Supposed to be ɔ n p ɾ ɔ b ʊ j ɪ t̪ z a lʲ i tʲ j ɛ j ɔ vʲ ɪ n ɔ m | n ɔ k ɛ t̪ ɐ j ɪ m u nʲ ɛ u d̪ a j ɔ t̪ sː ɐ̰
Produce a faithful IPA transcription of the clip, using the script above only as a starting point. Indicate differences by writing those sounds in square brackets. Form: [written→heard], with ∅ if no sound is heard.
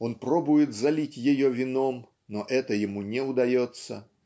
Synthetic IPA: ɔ n p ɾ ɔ b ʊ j ɪ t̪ z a lʲ i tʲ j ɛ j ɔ vʲ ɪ n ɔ m | n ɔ [k→ʔ] ɛ t̪ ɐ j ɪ m u nʲ ɛ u d̪ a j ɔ t̪ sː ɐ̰